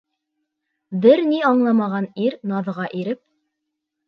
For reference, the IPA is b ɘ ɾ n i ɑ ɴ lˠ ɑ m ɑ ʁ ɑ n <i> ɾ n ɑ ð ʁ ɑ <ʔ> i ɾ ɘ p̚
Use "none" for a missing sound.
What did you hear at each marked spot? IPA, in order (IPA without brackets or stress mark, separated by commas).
i, ʔ